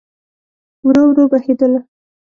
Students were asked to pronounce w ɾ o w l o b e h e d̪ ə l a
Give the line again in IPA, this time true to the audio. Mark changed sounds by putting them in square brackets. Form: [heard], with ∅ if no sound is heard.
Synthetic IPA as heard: w ɾ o w [ɾ] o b [a] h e d̪ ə l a